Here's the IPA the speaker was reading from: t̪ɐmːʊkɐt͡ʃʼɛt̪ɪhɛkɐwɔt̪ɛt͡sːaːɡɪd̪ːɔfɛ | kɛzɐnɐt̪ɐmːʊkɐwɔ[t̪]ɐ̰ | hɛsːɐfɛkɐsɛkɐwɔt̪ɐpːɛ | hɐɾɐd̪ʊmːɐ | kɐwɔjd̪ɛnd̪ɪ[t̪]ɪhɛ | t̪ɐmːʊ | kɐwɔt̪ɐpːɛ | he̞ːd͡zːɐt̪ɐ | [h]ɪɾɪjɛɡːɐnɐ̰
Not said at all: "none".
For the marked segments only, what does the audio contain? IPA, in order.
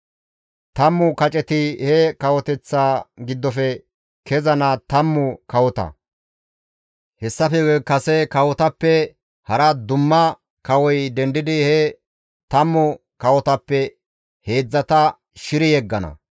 t̪, d̪, ʃ

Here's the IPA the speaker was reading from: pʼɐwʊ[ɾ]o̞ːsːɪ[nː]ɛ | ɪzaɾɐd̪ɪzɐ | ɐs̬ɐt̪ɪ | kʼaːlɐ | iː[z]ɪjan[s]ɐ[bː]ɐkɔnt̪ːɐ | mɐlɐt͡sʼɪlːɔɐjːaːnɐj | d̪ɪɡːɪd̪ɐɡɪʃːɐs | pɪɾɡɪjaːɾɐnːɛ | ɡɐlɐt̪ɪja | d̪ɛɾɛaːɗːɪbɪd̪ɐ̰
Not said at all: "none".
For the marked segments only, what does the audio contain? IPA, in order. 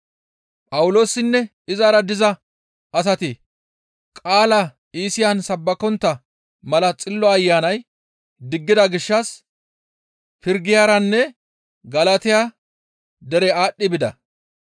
l, nː, s, s, bː

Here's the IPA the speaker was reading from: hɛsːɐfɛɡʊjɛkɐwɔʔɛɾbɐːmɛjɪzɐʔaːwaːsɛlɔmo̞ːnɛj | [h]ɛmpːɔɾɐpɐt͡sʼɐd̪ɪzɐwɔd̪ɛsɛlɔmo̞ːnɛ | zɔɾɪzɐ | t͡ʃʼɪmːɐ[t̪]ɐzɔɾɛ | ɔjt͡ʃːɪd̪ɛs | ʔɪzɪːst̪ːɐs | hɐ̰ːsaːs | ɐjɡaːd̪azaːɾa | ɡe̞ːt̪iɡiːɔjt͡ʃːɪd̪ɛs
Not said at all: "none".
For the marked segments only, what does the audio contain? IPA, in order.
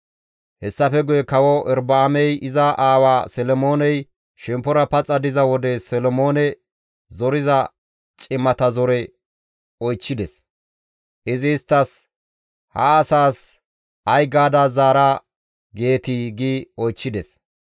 ʃ, t̪

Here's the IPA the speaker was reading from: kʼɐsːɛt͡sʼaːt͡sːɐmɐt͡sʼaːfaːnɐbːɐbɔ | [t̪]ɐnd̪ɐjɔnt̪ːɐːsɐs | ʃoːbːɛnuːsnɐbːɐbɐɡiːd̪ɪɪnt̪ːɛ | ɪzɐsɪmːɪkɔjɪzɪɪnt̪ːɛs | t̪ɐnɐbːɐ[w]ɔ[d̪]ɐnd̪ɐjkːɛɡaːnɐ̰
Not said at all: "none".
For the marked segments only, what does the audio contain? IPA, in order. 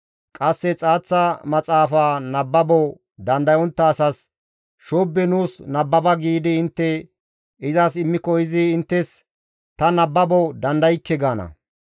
d̪, b, d̪

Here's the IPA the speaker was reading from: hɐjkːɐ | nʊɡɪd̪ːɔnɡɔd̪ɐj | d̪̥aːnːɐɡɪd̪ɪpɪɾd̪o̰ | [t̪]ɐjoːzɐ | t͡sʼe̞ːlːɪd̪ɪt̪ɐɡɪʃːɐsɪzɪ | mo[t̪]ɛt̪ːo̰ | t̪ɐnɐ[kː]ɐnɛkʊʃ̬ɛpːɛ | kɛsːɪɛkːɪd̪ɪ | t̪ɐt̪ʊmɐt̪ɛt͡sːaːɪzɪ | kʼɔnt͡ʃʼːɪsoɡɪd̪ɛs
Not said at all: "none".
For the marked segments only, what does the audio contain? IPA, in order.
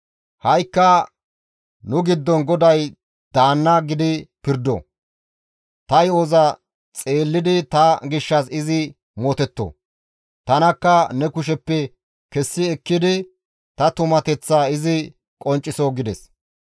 t̪, t̪, kː

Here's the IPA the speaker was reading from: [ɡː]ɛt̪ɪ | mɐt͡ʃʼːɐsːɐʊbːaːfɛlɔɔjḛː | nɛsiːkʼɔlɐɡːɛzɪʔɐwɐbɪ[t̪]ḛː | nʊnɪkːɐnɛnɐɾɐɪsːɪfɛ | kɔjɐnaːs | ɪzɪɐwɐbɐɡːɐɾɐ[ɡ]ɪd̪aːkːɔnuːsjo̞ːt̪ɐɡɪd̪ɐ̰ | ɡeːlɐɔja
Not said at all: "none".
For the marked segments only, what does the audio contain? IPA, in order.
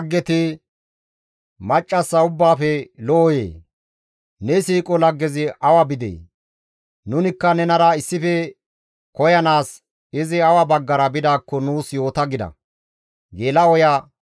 ɡː, d̪, b

